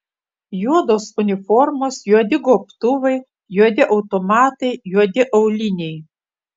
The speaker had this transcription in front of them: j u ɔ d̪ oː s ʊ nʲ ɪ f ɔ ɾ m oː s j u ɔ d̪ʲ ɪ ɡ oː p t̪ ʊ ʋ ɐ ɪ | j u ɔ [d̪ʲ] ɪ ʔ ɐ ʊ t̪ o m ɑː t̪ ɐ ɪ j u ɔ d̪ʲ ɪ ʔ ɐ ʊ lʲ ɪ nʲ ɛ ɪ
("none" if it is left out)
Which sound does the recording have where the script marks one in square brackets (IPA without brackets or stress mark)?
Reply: d̪ʲ